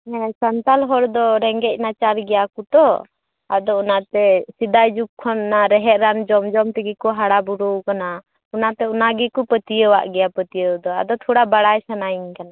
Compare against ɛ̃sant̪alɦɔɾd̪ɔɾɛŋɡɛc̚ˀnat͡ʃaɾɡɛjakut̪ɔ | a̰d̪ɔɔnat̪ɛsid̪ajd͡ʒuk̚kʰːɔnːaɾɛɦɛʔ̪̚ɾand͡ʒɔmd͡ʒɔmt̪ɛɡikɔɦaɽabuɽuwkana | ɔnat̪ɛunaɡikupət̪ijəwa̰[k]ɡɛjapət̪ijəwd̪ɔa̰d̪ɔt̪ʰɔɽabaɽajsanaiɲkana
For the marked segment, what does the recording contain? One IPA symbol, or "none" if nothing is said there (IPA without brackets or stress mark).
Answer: ʔ